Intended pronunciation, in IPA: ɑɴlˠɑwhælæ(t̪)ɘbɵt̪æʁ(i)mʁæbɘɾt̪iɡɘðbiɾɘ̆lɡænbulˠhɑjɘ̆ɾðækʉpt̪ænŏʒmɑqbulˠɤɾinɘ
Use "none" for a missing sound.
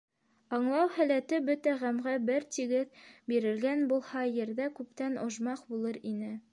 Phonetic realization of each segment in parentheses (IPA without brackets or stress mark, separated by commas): t̪, æ